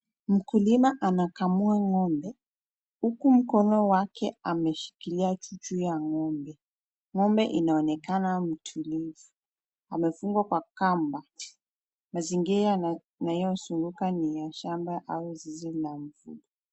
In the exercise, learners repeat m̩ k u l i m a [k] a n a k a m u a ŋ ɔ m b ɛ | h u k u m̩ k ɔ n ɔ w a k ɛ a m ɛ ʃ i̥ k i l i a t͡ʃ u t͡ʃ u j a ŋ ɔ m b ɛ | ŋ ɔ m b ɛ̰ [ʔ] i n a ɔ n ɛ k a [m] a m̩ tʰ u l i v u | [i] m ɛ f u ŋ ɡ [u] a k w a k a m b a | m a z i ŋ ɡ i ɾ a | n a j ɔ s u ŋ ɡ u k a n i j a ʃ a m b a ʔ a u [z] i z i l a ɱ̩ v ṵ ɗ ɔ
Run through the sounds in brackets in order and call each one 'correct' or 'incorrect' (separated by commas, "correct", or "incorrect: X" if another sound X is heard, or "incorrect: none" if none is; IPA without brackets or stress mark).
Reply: incorrect: ʔ, correct, incorrect: n, incorrect: a, incorrect: w, correct